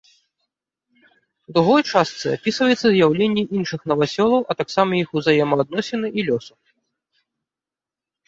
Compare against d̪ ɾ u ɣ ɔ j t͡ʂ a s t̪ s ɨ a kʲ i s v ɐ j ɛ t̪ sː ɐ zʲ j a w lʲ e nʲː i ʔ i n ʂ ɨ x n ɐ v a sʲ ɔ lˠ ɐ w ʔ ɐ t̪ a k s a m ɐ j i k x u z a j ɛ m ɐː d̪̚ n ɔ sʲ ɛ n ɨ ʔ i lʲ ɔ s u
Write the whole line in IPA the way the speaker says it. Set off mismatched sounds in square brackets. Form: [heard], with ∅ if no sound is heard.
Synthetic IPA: d̪ ɾ u ɣ ɔ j t͡ʂ a s t̪ s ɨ a [pʲ] i s v ɐ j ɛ t̪ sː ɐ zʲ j a w lʲ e nʲː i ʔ i n ʂ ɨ x n ɐ v a sʲ ɔ lˠ ɐ w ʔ ɐ t̪ a k s a m ɐ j i [∅] x u z a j ɛ m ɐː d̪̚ n ɔ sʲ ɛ n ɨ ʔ i lʲ ɔ s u